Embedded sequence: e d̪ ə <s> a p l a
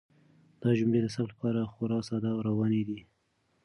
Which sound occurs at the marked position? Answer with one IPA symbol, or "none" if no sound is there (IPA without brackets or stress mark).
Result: s